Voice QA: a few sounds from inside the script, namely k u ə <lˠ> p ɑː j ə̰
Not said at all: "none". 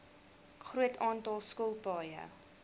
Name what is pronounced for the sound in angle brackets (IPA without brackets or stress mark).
lˠ